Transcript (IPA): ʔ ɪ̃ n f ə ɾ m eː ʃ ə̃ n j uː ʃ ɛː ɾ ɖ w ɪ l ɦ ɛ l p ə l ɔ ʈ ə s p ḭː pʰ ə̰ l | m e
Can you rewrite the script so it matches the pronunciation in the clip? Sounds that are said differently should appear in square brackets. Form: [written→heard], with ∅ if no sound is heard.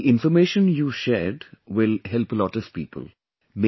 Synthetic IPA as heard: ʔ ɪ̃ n f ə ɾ m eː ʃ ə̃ n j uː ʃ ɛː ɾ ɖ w ɪ l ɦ ɛ l p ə l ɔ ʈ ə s p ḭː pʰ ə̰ l | m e